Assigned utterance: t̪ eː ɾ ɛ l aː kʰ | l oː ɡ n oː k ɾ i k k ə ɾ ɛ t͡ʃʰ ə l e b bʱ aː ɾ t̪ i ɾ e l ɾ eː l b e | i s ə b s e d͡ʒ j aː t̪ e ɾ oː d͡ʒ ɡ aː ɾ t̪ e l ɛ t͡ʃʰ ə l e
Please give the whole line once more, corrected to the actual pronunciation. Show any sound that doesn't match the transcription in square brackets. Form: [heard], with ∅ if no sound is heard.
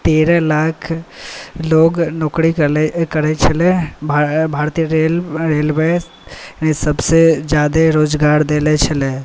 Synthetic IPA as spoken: t̪ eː ɾ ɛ l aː kʰ | l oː ɡ n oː k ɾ i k k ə ɾ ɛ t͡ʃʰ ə l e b bʱ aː ɾ t̪ i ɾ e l ɾ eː l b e | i s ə b s e d͡ʒ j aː [d̪] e ɾ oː d͡ʒ ɡ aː ɾ [d̪] e l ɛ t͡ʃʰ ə l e